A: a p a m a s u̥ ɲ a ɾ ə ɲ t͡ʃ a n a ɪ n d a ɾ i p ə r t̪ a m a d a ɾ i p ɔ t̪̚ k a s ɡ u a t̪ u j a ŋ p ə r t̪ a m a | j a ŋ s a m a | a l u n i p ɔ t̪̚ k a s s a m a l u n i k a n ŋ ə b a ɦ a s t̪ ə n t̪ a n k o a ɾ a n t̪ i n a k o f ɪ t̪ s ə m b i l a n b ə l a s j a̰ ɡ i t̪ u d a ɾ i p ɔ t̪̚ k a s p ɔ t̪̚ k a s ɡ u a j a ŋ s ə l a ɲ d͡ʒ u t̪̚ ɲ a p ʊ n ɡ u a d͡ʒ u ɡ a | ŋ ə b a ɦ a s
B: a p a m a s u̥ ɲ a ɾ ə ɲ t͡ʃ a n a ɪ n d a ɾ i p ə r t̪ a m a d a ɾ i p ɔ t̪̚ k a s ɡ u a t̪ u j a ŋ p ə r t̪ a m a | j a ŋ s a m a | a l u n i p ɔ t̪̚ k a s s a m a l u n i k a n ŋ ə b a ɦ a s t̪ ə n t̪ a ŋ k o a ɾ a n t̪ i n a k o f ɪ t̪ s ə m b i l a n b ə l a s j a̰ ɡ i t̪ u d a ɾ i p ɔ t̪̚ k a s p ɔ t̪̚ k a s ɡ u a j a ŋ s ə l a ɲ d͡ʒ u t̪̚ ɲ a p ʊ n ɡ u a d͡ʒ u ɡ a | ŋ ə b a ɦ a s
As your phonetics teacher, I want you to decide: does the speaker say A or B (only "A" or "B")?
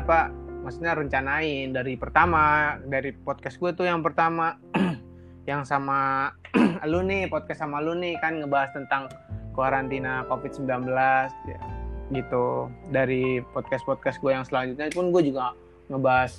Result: B